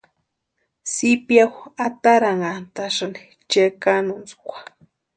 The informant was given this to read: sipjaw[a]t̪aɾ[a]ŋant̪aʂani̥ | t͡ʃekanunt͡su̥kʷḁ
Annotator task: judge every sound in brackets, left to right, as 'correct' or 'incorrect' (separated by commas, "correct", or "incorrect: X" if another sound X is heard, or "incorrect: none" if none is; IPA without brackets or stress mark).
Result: correct, correct